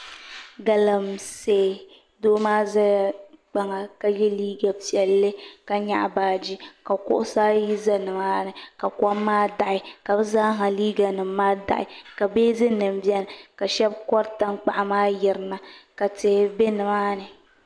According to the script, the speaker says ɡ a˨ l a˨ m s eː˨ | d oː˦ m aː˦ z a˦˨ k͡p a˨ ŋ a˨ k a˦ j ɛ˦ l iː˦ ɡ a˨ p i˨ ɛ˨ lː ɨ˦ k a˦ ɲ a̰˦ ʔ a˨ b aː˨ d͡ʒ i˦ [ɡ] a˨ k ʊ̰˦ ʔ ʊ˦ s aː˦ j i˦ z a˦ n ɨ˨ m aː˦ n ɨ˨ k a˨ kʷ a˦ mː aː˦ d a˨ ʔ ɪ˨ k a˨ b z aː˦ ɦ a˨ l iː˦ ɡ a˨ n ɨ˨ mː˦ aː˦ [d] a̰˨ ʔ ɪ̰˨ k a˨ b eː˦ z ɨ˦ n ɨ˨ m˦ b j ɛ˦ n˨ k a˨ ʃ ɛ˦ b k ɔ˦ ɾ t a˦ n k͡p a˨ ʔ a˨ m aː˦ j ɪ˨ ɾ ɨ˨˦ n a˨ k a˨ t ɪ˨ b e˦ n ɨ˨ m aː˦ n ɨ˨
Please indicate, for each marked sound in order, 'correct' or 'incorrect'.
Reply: incorrect, correct

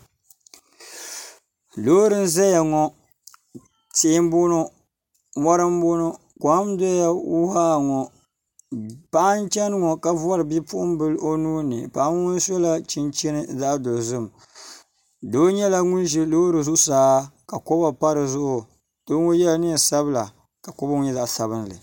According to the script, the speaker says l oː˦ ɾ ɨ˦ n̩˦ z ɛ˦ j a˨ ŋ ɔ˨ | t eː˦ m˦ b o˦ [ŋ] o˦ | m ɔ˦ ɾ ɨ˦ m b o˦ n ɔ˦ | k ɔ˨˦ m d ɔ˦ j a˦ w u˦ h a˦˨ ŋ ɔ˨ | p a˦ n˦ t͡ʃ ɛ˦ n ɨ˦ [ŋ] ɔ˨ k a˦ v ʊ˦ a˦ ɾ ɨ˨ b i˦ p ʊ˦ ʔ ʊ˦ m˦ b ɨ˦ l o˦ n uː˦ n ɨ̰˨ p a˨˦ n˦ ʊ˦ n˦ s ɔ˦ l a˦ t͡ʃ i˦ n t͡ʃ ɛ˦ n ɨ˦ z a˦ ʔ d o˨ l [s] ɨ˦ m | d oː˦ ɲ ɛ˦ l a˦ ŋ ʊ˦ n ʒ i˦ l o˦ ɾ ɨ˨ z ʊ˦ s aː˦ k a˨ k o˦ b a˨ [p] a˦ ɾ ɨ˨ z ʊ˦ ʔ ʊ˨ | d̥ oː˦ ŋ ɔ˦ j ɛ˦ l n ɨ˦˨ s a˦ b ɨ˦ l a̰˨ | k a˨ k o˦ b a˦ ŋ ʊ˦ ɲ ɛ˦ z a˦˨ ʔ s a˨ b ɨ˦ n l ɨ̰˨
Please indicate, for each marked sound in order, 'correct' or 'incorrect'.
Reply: incorrect, correct, incorrect, correct

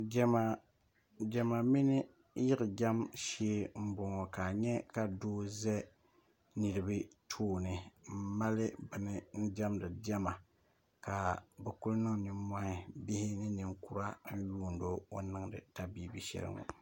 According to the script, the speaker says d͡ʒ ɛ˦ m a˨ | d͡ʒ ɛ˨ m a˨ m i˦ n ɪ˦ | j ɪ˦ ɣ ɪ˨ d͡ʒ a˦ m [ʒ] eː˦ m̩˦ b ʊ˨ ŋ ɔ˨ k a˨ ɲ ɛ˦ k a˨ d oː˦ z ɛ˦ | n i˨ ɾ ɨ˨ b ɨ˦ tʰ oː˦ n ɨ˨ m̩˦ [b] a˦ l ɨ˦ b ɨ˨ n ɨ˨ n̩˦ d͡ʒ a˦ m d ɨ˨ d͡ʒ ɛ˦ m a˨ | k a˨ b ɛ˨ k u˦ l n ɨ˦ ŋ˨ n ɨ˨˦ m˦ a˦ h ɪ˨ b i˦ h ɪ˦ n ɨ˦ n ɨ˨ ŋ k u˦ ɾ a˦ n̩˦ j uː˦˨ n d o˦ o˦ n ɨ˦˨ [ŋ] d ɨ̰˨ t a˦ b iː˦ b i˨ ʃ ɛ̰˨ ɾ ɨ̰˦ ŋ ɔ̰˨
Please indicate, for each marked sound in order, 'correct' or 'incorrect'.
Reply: incorrect, incorrect, correct

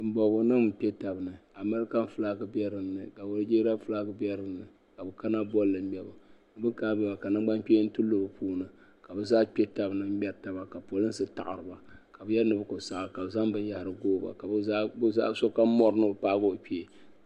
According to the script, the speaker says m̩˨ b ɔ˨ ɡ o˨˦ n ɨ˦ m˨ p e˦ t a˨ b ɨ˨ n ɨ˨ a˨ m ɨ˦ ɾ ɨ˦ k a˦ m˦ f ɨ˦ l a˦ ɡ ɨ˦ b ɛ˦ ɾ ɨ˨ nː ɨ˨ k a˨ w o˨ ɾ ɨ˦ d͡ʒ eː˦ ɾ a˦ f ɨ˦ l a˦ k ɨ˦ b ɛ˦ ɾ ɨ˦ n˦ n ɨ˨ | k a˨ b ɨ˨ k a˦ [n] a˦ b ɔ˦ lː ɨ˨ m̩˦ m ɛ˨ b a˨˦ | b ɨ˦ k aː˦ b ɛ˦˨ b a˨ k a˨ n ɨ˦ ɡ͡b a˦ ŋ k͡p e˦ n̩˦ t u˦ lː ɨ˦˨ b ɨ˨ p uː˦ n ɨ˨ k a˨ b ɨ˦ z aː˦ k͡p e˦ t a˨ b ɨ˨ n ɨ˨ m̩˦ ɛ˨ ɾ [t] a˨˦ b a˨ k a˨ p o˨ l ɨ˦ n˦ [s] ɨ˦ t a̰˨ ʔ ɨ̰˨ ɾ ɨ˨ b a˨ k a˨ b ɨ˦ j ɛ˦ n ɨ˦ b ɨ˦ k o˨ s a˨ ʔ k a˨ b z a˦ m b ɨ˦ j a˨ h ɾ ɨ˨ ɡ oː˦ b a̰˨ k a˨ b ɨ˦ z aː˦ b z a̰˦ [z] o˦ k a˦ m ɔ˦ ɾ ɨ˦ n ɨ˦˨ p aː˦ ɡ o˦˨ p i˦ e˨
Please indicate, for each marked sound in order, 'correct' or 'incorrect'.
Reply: correct, correct, correct, incorrect

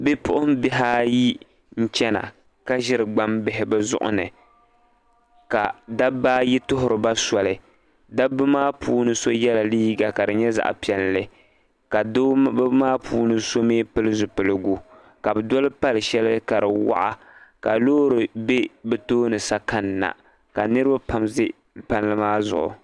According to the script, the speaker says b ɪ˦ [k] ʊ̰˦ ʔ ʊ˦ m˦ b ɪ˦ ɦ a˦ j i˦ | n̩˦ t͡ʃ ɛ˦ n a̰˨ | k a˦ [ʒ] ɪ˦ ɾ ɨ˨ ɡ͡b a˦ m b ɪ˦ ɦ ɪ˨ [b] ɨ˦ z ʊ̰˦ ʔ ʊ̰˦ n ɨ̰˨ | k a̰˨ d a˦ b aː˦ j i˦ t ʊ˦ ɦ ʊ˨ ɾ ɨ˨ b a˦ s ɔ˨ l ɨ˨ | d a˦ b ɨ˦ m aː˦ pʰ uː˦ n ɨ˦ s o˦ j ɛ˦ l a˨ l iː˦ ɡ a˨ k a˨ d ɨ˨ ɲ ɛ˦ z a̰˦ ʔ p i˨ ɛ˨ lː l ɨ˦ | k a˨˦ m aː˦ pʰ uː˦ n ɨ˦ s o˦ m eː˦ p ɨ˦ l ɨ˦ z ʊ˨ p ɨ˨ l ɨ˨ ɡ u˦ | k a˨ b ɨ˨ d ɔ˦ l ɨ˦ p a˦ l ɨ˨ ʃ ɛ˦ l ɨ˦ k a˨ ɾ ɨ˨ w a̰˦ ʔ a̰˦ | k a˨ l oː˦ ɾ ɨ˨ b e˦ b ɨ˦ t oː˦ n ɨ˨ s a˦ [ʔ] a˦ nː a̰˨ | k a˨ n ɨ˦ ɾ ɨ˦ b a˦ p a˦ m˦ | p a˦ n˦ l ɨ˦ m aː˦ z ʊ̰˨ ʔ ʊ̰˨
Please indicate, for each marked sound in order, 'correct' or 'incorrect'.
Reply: incorrect, correct, correct, incorrect

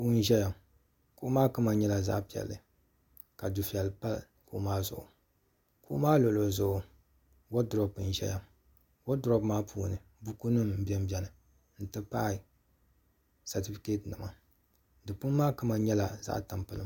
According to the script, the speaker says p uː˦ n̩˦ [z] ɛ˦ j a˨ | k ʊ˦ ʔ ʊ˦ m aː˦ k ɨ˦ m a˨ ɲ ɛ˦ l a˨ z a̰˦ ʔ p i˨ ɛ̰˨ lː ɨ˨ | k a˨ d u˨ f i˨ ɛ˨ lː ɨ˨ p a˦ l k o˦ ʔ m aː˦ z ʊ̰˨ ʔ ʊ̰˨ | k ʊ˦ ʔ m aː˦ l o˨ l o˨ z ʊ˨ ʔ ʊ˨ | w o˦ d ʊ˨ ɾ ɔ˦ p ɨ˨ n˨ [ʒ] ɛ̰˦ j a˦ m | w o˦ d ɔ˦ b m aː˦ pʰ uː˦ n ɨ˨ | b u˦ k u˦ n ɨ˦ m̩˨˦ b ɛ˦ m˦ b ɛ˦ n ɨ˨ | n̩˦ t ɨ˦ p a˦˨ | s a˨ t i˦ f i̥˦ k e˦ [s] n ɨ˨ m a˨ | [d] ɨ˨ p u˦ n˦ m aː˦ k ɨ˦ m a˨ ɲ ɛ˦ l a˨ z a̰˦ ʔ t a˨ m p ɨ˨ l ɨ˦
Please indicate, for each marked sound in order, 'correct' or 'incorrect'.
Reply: incorrect, correct, incorrect, correct

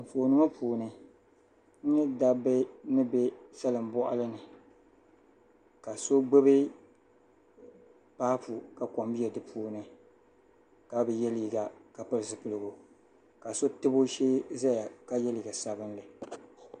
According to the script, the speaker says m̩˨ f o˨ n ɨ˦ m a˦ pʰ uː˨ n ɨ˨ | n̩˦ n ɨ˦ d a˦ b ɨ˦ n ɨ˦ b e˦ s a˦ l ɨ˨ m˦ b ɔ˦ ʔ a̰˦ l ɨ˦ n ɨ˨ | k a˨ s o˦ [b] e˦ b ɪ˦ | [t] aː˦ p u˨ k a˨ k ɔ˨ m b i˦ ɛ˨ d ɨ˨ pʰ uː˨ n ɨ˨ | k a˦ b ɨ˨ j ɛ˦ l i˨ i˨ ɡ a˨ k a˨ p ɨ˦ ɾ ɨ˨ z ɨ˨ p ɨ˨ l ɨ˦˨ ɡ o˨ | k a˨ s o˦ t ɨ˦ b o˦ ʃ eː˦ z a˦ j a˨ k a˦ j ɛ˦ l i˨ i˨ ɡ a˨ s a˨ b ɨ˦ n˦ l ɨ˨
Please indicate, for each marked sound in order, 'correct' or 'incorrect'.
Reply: incorrect, incorrect

